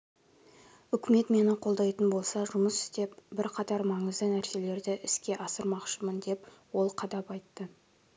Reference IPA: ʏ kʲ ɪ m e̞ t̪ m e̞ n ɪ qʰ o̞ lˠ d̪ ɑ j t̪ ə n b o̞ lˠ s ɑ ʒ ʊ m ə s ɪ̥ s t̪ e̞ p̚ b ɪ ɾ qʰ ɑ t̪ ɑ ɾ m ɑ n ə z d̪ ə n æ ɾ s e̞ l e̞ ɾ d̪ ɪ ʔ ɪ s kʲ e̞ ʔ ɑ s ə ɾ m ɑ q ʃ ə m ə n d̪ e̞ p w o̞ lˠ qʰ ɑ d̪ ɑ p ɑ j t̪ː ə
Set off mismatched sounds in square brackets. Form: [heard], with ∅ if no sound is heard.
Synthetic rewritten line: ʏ kʲ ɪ m e̞ t̪ m e̞ n ɪ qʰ o̞ lˠ d̪ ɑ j t̪ ə n b o̞ lˠ s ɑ ʒ ʊ m ə s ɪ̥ s t̪ e̞ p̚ b ɪ ɾ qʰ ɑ t̪ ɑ ɾ m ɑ [ɴ] ə z d̪ ə n æ ɾ s e̞ l e̞ ɾ d̪ ɪ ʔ ɪ s kʲ e̞ ʔ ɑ s ə ɾ m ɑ q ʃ ə m ə n d̪ e̞ p w o̞ lˠ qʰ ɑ d̪ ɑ p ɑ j t̪ː ə